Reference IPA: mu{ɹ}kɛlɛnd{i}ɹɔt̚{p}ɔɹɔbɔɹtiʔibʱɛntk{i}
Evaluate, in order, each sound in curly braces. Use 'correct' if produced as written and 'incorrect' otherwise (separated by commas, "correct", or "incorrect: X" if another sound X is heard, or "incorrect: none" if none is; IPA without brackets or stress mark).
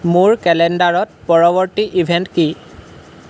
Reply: correct, incorrect: a, correct, correct